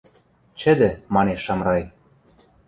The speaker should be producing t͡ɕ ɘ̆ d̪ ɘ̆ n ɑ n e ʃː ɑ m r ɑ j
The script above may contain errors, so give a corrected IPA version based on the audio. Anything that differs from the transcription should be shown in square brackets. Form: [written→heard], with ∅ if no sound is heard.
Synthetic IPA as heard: t͡ɕ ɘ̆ d̪ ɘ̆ [n→m] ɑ n e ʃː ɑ m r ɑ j